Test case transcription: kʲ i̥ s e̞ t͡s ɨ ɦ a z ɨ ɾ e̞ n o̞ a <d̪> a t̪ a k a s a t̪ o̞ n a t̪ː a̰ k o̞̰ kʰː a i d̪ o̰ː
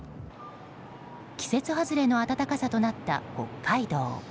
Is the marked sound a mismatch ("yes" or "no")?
yes